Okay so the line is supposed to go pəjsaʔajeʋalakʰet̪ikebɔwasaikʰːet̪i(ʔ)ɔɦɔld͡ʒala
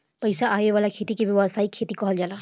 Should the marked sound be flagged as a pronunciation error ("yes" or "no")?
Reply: yes